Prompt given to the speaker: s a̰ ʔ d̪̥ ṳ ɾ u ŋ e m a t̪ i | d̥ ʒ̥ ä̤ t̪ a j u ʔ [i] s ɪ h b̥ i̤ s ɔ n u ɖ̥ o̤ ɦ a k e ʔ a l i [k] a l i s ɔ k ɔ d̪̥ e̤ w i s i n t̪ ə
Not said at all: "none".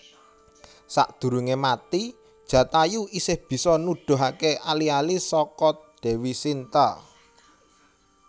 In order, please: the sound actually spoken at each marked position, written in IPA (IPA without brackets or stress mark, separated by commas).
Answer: i, none